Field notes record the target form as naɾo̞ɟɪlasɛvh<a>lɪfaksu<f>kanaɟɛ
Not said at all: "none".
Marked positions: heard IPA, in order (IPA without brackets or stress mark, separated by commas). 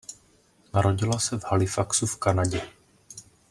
a, f